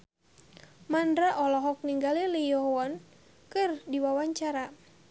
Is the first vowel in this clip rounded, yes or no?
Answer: no